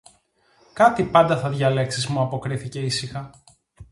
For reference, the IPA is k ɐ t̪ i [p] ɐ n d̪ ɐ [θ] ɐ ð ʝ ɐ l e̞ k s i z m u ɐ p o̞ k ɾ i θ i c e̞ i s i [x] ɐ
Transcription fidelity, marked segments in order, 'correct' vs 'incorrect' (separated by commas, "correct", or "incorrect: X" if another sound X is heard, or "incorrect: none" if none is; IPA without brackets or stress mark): correct, correct, correct